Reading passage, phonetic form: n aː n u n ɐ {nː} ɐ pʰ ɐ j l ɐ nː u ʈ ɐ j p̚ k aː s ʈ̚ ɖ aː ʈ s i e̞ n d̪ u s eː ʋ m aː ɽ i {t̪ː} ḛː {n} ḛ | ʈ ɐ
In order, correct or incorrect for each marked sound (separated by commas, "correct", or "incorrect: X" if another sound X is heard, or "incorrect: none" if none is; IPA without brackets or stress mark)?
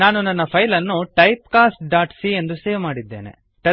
correct, incorrect: d̪ː, correct